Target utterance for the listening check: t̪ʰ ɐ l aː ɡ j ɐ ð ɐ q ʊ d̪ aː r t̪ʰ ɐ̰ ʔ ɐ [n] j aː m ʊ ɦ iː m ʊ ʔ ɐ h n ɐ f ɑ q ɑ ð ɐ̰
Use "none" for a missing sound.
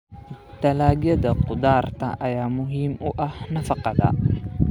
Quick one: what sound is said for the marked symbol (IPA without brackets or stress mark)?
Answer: none